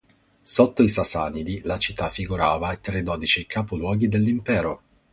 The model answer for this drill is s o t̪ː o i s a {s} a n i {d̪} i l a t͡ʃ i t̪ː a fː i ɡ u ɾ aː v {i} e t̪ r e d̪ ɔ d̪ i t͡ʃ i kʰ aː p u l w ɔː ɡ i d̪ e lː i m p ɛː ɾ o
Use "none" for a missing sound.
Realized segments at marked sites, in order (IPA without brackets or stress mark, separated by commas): s, d̪, a